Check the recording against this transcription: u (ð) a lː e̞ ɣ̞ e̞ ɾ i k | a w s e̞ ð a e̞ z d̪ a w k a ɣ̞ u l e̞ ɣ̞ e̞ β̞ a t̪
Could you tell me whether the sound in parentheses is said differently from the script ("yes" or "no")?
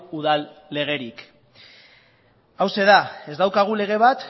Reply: no